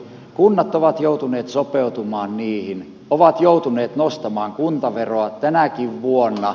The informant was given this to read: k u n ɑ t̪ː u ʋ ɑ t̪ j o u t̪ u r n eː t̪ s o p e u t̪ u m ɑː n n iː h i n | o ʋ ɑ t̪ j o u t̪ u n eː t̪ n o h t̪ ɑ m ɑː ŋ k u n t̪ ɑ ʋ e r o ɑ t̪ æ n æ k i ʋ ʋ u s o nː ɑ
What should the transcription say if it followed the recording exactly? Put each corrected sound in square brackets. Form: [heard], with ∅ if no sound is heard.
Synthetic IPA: k u [nː] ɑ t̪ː [o] ʋ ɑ t̪ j o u t̪ u [∅] n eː t̪ s o p e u t̪ u m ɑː n n iː h i n | o ʋ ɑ t̪ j o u t̪ u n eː t̪ n o [s] t̪ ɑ m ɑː ŋ k u n t̪ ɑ ʋ e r o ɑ t̪ æ n æ k i ʋ ʋ u [∅] o nː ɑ